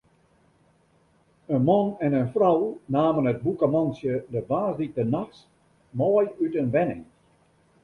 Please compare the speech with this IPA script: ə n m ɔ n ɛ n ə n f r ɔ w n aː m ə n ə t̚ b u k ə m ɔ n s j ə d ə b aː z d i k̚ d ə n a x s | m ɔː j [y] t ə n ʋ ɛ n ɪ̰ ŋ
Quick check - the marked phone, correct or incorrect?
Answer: correct